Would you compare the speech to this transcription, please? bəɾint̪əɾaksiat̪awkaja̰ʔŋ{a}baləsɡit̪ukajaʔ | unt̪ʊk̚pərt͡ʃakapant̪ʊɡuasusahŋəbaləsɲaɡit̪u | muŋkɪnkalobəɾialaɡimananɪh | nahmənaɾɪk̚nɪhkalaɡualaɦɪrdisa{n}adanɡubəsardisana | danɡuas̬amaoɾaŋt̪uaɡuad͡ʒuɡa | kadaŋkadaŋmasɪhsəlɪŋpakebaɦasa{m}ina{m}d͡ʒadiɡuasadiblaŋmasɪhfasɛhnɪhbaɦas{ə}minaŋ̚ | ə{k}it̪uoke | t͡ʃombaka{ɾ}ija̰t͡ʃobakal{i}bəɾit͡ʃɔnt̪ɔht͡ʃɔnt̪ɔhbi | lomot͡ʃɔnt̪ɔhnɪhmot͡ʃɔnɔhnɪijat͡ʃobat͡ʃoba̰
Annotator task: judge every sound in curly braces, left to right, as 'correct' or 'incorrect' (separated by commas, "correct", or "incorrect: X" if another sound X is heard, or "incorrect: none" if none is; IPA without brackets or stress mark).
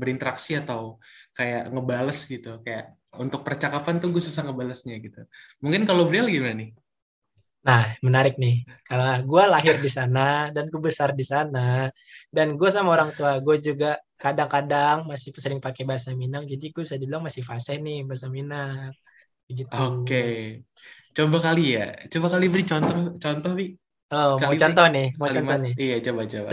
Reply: incorrect: ə, correct, correct, incorrect: ŋ, incorrect: a, incorrect: ɡ, incorrect: l, correct